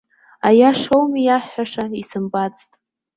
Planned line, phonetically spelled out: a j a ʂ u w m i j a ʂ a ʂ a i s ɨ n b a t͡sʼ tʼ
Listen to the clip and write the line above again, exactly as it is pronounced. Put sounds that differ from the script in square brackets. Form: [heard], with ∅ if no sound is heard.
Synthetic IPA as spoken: a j a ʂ [o] w m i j a [ħ] a ʂ a i s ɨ [m] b a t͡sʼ tʼ